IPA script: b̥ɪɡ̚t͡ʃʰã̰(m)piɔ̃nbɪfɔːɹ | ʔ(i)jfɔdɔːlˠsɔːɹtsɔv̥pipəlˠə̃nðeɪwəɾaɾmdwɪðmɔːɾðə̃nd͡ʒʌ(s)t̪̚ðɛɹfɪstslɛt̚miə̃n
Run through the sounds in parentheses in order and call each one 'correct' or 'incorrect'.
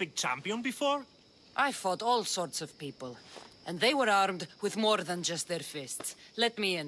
correct, incorrect: a, correct

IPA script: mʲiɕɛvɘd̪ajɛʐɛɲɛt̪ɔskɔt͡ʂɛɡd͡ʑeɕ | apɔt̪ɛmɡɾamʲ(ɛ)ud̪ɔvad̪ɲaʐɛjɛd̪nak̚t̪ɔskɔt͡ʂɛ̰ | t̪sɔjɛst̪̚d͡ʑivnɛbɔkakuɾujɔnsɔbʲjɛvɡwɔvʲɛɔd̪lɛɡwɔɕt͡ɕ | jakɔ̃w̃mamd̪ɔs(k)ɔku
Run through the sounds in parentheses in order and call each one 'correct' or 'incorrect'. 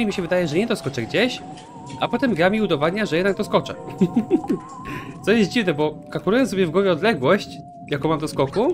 incorrect: i, correct

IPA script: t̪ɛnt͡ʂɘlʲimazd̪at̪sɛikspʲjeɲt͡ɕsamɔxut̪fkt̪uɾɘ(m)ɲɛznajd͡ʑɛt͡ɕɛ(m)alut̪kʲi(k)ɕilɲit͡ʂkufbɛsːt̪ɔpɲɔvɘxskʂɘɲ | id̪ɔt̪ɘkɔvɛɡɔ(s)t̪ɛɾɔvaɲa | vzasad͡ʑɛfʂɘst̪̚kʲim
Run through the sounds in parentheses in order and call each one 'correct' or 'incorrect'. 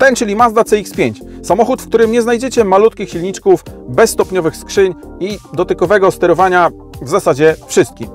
correct, correct, incorrect: x, correct

